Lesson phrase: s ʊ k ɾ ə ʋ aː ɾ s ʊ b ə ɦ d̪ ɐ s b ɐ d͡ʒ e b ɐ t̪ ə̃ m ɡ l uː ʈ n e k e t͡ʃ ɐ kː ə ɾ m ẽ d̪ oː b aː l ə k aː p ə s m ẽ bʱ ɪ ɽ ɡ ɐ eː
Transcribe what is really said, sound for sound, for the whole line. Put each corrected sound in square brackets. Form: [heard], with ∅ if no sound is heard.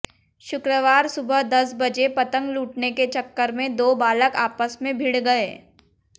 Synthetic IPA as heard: [ʃ] ʊ k ɾ ə ʋ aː ɾ s ʊ b ə ɦ d̪ ɐ s b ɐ d͡ʒ e [p] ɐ t̪ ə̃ [ŋ] ɡ l uː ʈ n e k e t͡ʃ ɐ kː ə ɾ m ẽ d̪ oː b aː l ə k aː p ə s m ẽ bʱ ɪ ɽ ɡ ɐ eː